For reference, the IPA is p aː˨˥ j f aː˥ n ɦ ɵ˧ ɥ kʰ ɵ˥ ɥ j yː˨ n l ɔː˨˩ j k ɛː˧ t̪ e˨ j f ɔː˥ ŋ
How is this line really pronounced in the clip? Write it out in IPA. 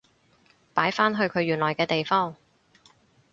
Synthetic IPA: p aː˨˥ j f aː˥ n ɦ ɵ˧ ɥ kʰ ɵ˨˧ ɥ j yː˨ n l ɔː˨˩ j k ɛː˧ t̪ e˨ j f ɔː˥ ŋ

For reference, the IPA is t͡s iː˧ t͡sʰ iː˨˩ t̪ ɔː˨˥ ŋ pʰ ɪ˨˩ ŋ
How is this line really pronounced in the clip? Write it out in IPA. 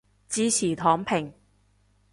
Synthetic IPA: t͡s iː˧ t͡sʰ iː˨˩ t̪ʰ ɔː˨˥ ŋ pʰ ɪ˨˩ ŋ

